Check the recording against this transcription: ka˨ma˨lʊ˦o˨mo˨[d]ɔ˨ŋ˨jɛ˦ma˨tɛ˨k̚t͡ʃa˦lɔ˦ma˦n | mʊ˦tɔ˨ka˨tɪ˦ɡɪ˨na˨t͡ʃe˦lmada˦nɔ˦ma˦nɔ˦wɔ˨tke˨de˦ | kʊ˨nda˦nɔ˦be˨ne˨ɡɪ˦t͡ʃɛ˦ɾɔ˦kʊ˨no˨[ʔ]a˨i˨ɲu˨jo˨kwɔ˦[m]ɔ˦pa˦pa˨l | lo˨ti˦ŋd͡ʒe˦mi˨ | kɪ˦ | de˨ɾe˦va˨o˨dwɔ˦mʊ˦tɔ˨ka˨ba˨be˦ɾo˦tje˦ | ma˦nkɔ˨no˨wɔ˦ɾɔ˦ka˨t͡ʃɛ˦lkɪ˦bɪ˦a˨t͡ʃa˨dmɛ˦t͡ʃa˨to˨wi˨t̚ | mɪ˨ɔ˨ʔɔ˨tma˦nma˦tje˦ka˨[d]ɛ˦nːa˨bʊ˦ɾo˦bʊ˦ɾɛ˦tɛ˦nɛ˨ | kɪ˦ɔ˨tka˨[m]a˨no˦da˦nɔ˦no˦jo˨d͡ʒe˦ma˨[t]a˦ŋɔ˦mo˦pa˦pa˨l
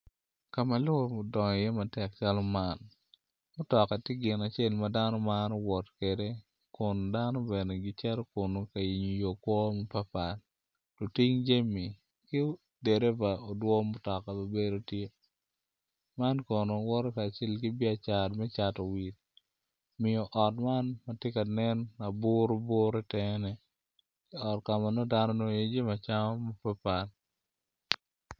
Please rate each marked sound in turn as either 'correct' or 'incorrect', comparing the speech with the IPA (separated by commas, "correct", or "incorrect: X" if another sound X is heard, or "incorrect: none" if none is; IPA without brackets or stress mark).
correct, incorrect: k, correct, incorrect: n, correct, incorrect: t͡ʃ